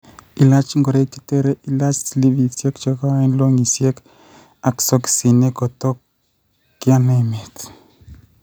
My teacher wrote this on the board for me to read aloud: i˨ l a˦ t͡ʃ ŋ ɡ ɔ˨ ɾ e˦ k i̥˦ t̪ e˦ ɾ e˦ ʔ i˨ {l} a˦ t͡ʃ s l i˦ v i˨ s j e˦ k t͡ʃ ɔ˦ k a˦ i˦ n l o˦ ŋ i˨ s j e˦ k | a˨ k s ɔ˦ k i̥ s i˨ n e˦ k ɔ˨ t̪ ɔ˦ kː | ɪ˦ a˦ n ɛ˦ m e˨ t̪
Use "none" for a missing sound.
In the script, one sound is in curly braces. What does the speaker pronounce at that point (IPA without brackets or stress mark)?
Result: l